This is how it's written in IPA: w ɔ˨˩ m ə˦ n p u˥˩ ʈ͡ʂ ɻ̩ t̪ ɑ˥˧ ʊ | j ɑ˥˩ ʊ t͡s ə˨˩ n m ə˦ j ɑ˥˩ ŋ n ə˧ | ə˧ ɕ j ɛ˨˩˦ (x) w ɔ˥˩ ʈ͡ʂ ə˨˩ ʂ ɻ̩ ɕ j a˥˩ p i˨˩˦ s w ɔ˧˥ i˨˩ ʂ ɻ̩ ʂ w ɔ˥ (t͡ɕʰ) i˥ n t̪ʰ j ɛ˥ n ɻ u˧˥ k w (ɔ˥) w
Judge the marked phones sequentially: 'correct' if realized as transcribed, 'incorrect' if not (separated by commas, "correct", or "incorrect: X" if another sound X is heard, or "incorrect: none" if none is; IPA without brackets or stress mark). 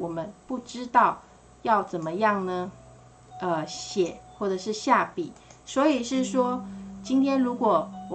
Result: correct, incorrect: t͡ɕ, incorrect: ɔ˨˩